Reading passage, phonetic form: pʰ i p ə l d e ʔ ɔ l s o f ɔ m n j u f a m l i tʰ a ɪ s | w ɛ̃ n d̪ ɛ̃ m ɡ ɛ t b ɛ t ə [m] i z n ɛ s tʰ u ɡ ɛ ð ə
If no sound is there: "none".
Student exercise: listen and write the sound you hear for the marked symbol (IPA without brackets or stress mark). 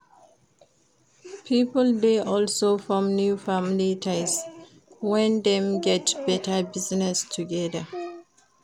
b